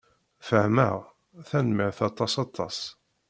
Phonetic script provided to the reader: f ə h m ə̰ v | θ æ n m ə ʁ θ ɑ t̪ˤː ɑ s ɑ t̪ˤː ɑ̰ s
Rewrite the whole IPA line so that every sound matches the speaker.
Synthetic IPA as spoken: f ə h m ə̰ ʁ | θ æ n m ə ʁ θ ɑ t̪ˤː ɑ s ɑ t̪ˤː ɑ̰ s